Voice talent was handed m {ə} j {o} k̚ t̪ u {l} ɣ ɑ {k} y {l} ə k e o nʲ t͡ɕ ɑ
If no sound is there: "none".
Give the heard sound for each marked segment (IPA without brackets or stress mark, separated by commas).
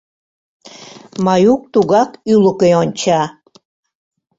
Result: ɑ, u, none, k, l